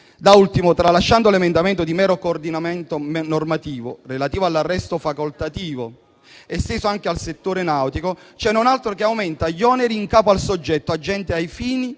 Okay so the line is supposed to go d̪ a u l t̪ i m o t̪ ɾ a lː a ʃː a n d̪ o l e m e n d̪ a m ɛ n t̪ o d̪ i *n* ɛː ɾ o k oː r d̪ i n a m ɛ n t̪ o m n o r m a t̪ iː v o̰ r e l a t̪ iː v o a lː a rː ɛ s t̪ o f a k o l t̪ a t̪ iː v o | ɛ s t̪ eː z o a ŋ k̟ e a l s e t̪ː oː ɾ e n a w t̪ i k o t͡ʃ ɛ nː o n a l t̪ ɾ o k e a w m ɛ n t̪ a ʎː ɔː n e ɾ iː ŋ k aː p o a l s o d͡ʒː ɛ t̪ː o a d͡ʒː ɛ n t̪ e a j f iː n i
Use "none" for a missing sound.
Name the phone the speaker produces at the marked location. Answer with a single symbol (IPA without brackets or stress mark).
m